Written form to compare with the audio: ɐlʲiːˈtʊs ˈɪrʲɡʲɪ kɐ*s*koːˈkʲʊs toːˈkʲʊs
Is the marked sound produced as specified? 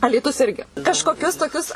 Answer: no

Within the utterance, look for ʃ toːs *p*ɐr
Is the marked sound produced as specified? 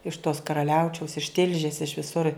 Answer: no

